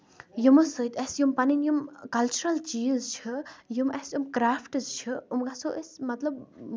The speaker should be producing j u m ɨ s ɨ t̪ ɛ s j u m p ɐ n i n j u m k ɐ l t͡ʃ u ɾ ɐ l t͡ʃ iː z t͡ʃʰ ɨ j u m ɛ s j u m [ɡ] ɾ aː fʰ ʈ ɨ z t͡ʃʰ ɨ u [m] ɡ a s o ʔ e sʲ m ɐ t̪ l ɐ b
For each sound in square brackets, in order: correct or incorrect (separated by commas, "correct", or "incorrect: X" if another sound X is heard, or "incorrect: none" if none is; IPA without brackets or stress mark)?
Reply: incorrect: k, correct